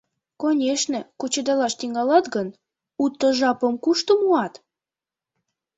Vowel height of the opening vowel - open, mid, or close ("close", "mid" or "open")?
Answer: mid